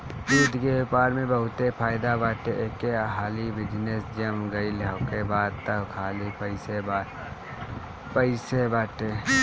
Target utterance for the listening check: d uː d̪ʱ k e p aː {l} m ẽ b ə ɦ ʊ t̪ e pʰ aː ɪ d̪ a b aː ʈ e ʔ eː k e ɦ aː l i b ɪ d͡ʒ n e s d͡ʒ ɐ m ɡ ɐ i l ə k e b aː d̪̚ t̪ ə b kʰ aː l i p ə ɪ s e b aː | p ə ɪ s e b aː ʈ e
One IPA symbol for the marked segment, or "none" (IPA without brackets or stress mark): ɾ